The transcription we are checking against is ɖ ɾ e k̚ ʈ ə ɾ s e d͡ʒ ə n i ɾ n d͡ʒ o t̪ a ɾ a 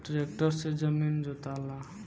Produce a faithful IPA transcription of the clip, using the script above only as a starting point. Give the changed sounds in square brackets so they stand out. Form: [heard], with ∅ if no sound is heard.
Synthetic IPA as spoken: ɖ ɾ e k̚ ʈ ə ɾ s e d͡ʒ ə [m] i [∅] n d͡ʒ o t̪ a [l] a

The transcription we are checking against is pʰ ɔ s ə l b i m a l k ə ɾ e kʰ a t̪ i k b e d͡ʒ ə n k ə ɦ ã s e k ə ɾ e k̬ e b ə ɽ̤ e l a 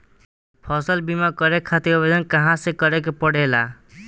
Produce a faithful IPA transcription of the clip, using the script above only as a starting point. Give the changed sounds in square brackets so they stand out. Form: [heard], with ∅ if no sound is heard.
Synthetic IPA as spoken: pʰ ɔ s ə l b i m a [∅] k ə ɾ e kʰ a t̪ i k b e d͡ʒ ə n k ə ɦ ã s e k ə ɾ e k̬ e [p] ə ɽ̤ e l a

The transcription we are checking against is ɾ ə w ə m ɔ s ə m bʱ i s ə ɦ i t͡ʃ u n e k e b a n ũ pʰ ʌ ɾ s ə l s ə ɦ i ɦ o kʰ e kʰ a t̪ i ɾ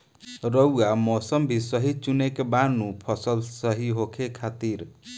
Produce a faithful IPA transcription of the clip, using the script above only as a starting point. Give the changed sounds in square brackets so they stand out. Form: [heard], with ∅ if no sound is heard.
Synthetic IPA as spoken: ɾ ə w [a] m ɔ s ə m bʱ i s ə ɦ i t͡ʃ u n e k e b a n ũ pʰ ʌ [∅] s ə l s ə ɦ i ɦ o kʰ e kʰ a t̪ i ɾ

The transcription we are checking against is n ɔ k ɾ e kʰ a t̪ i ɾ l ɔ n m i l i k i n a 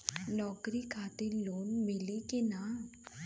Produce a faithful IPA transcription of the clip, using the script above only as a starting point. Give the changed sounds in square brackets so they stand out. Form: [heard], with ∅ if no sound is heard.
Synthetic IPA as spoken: n ɔ k ɾ [i] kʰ a t̪ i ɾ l [o] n m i l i k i n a

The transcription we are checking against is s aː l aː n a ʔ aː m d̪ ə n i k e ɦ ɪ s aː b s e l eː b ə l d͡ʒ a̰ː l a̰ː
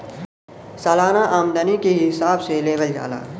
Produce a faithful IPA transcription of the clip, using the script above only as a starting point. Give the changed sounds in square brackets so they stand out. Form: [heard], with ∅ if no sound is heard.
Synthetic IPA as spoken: s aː l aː n a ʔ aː m d̪ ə n i k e ɦ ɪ s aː b s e l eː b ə l d͡ʒ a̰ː l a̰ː

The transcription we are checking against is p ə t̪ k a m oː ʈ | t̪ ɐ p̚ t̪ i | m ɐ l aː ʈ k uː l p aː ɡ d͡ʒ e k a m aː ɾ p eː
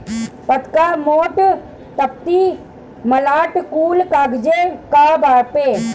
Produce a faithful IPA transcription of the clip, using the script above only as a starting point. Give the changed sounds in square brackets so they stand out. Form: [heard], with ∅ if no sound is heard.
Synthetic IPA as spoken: p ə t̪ k a m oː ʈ | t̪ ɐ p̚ t̪ i | m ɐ l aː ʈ k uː l [k] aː ɡ d͡ʒ e k a [b] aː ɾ p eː

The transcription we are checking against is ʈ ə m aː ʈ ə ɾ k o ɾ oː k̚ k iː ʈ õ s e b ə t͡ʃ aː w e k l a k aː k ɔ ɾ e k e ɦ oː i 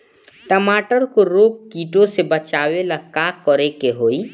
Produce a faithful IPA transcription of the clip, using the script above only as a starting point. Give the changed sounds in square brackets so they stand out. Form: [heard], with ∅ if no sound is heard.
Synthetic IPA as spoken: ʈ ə m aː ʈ ə ɾ k o ɾ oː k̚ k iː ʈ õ s e b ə t͡ʃ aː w e [∅] l a k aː k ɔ ɾ e k e ɦ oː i

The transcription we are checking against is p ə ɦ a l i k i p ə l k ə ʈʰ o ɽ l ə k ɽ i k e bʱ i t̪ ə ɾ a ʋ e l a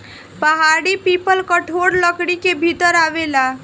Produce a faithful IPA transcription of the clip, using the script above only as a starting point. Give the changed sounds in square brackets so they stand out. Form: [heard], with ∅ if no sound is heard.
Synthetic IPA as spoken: p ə ɦ a [ɽ] i [p] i p ə l k ə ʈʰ o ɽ l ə k ɽ i k e bʱ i t̪ ə ɾ a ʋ e l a

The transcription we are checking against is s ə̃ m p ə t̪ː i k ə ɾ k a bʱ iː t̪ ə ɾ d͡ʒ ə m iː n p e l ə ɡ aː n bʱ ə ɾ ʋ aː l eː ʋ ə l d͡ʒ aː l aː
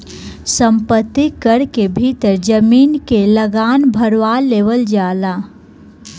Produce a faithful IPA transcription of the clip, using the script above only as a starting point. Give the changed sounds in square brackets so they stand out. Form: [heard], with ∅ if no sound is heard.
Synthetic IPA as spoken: s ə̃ m p ə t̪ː i k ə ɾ k [e] bʱ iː t̪ ə ɾ d͡ʒ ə m iː n [k] e l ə ɡ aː n bʱ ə ɾ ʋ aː l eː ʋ ə l d͡ʒ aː l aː

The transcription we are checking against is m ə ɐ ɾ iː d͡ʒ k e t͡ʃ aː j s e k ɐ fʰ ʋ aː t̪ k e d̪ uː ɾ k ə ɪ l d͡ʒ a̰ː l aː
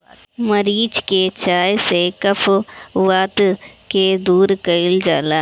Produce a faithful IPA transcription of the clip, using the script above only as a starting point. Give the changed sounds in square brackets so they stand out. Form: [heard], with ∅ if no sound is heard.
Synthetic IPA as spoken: m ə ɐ ɾ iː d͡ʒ k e t͡ʃ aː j s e k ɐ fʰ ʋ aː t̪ k e d̪ uː ɾ k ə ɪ l d͡ʒ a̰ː l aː

